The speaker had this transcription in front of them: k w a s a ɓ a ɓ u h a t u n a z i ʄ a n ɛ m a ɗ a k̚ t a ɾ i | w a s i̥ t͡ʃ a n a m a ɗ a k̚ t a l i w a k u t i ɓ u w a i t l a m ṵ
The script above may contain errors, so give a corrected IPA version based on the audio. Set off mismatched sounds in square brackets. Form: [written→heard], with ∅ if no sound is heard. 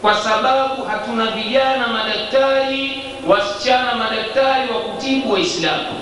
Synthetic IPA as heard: k w a s a ɓ a ɓ u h a t u n a [z→v] i ʄ a n [ɛ→a] m a ɗ a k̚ t a ɾ i | w a s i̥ t͡ʃ a n a m a ɗ a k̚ t a [l→ɾ] i w a k u t i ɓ u w a i [t→s] l a m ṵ